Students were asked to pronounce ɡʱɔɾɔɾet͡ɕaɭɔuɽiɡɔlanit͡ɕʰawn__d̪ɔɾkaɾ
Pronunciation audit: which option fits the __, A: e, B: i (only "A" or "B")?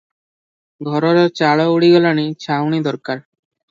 B